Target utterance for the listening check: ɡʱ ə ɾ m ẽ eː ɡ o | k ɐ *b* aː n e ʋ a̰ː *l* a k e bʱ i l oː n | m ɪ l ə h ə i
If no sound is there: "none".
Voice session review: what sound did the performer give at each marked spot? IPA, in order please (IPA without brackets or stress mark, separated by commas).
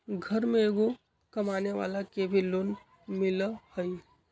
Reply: m, l